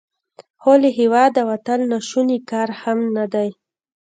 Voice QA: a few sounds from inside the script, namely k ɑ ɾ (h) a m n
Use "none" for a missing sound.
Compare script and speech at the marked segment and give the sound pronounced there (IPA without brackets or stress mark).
h